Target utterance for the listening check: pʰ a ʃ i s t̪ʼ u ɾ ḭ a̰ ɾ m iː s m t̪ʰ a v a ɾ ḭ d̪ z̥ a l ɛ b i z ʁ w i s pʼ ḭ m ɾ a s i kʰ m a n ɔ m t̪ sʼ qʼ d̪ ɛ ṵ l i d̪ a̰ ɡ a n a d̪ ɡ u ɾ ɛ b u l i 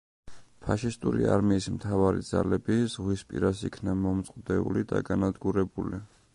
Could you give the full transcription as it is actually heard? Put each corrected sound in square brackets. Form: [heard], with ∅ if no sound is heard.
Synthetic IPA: pʰ a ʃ i s t̪ʼ u ɾ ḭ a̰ ɾ m iː s m t̪ʰ a v a ɾ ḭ d̪ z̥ a l ɛ b i z ʁ w i s pʼ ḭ [∅] ɾ a s i kʰ [n] a [m] ɔ m t̪ sʼ qʼ d̪ ɛ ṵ l i d̪ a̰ ɡ a n a d̪ ɡ u ɾ ɛ b u l i